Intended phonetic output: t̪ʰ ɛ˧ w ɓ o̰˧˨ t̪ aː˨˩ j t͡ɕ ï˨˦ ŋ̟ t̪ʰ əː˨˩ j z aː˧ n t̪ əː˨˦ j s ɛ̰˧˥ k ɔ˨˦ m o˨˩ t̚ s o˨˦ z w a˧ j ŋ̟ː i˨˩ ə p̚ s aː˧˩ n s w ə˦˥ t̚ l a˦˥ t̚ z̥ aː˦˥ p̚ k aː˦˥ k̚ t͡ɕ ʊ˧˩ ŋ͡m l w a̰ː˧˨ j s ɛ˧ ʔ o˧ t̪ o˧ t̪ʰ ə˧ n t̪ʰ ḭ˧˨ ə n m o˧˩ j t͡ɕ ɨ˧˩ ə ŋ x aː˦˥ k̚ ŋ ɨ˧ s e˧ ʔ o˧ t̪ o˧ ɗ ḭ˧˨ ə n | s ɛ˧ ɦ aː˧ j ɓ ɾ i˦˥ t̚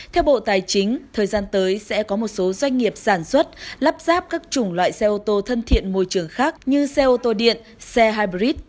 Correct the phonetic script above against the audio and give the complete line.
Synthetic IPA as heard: t̪ʰ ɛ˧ w ɓ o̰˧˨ t̪ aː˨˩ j t͡ɕ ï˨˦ ŋ̟ t̪ʰ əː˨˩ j z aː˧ n t̪ əː˨˦ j s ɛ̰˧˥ k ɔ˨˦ m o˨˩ t̚ s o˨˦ z w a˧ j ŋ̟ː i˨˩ ə p̚ s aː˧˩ n s w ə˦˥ t̚ l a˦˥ p̚ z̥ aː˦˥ p̚ k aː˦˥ k̚ t͡ɕ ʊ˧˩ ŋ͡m l w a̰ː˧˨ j s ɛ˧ ʔ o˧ t̪ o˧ t̪ʰ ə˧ n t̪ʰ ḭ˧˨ ə n m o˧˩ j t͡ɕ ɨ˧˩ ə ŋ x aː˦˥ k̚ ɲ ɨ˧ s ɛ˧ ʔ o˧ t̪ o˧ ɗ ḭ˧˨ ə n | s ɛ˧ ɦ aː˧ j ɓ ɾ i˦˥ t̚